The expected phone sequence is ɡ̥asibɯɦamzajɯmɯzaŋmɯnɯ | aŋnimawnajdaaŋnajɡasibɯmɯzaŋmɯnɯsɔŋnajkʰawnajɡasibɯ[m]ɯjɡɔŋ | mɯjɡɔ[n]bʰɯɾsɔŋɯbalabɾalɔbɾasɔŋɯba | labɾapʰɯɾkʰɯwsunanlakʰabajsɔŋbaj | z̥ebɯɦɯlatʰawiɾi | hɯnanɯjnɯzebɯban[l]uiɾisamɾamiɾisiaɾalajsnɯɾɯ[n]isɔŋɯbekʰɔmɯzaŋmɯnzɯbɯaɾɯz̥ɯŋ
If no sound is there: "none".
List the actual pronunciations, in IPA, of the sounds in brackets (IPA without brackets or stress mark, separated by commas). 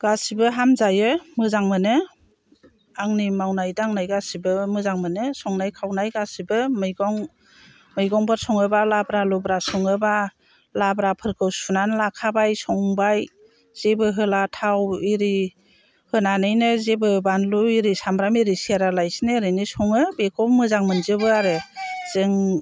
m, ŋ, l, n